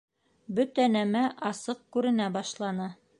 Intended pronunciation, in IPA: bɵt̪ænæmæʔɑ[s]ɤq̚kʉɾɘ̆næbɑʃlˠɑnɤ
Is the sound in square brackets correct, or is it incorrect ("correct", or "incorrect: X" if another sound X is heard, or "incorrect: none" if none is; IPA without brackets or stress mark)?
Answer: correct